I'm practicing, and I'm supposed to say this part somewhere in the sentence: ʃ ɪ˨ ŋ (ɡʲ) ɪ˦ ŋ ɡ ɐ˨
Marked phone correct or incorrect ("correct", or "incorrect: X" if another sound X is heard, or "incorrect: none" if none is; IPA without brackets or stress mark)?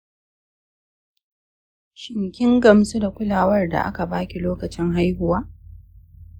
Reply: incorrect: kʲ